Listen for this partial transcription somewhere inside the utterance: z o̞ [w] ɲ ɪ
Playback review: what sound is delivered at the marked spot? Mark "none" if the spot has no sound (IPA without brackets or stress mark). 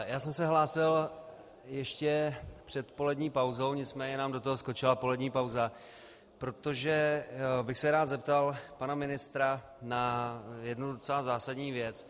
w